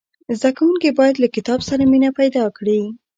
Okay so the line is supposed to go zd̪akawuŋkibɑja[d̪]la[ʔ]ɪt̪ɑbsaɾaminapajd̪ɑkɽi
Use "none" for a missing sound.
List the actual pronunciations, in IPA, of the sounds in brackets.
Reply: d̪, k

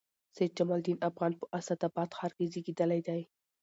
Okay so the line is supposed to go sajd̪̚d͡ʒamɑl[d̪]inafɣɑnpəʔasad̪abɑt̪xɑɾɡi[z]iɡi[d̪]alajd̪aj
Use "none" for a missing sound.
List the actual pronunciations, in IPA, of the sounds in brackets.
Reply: d̪, z, d̪

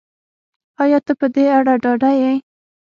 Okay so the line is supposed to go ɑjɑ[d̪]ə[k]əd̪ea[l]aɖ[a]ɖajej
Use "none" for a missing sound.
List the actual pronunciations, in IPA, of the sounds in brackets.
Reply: t̪, p, ɽ, ɑ

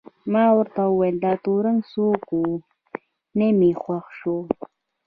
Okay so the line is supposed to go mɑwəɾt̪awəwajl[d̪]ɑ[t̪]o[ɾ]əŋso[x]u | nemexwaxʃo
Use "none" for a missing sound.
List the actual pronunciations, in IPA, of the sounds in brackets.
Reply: d̪, t̪, ɾ, k

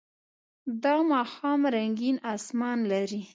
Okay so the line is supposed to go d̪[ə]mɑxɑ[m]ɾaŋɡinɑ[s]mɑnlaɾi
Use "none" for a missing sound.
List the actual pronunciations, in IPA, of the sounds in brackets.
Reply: ɑ, m, s

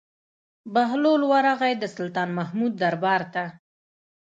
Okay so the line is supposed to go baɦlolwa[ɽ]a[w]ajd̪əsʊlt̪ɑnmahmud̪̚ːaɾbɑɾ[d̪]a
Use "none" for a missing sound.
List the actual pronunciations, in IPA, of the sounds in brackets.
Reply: ɾ, ɣ, t̪

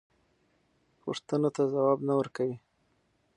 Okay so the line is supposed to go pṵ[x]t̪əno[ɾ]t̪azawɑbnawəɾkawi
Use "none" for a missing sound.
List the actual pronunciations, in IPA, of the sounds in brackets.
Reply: ʂ, none

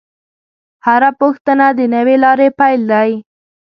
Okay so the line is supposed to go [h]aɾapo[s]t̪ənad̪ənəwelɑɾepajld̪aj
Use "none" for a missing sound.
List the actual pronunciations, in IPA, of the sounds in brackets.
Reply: h, x

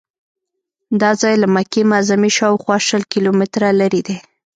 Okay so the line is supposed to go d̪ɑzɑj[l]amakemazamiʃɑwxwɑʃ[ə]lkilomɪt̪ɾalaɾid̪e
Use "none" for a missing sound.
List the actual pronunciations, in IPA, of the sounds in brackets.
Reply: l, ə

